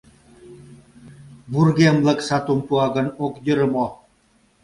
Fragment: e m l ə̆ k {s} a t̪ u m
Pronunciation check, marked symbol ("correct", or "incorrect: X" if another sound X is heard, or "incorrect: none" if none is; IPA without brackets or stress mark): correct